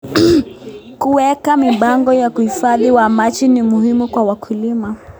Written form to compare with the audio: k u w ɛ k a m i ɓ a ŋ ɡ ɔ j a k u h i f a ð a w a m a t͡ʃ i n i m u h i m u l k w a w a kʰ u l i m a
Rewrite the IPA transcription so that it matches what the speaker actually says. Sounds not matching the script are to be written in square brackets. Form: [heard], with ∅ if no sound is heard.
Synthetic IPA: k u w ɛ k a m i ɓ a ŋ ɡ ɔ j a k u h i f a ð [i] w a m a t͡ʃ i n i m u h i m u [∅] k w a w a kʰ u l i m a